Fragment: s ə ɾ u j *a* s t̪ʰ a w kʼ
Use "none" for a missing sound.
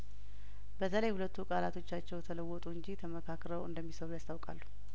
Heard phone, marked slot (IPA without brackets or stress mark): a